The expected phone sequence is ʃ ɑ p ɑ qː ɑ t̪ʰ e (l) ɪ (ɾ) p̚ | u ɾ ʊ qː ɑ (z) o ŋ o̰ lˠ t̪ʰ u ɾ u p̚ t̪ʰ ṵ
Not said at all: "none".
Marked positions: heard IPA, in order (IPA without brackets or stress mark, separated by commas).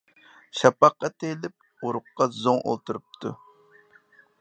l, none, z